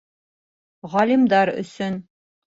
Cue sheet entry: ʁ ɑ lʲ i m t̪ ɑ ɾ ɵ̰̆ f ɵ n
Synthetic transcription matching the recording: ʁ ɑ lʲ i m d̪ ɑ ɾ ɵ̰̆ s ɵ n